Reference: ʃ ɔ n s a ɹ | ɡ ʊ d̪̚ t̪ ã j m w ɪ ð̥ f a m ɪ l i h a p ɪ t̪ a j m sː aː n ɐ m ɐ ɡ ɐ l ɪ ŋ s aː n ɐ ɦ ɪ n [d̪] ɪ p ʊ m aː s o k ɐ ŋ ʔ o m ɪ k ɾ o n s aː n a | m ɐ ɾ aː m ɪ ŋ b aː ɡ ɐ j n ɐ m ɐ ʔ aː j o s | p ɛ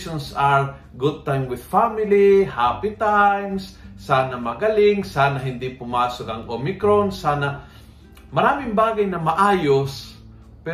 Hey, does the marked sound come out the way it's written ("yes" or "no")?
yes